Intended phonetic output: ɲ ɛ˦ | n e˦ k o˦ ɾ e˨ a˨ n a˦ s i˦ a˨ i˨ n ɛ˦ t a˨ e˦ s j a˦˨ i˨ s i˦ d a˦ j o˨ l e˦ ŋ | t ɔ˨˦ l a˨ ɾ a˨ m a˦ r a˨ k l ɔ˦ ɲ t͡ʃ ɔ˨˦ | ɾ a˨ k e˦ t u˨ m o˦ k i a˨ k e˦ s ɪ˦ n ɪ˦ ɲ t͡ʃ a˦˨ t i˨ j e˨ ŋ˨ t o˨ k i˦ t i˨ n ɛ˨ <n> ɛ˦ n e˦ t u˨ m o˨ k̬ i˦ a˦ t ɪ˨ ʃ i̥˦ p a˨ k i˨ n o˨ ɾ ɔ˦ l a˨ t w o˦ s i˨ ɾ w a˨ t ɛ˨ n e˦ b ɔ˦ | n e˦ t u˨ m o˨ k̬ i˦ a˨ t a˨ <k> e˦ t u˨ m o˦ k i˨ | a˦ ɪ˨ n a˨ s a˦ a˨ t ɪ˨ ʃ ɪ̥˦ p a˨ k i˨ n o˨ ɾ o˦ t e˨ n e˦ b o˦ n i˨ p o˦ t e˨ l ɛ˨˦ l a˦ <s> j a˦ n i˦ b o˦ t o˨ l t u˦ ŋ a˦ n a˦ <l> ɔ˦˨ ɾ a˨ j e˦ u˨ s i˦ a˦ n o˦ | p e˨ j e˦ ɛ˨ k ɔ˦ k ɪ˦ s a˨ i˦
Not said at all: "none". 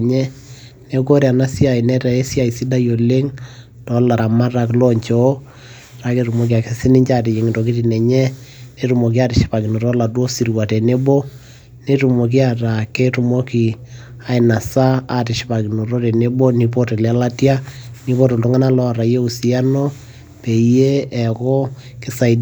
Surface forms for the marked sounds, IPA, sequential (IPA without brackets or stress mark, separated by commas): ɲ, k, t, l